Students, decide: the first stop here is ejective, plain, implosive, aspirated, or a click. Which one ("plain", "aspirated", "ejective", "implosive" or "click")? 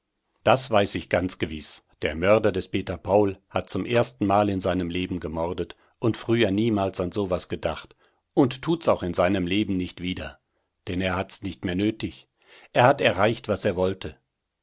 plain